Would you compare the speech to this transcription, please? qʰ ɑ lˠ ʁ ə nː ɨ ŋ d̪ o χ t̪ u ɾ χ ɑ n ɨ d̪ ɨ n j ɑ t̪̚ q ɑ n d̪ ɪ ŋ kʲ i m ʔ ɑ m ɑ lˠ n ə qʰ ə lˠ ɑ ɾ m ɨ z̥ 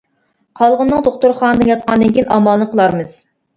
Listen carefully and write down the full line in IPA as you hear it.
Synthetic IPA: qʰ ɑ lˠ ʁ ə nː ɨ ŋ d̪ o χ t̪ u ɾ χ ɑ n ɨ d̪ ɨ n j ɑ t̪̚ q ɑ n d̪ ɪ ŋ kʲ i n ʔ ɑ m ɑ lˠ n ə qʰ ə lˠ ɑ ɾ m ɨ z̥